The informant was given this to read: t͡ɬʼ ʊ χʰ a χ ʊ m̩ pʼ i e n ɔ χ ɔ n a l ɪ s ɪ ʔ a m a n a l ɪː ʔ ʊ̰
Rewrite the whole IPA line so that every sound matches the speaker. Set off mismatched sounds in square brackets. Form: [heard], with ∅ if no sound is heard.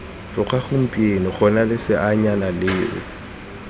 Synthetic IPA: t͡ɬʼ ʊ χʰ a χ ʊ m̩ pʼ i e n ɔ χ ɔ n a l ɪ s ɪ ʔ a [ɲ] a n a l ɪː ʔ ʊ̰